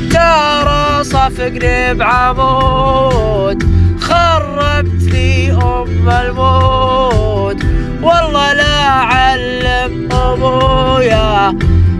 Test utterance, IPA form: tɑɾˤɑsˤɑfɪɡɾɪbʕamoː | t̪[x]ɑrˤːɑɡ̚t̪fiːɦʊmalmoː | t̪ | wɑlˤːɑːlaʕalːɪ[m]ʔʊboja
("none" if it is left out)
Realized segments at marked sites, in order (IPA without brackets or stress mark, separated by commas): x, m